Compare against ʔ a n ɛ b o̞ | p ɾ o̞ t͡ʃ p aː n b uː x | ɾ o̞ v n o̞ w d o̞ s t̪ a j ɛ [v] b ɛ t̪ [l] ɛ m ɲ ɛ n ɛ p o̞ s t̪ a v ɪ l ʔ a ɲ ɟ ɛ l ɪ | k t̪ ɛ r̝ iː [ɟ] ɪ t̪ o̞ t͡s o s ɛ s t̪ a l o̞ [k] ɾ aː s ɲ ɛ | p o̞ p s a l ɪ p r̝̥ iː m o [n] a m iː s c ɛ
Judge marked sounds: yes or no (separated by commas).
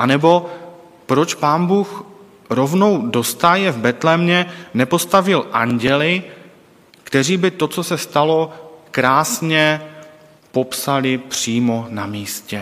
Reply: yes, yes, no, yes, yes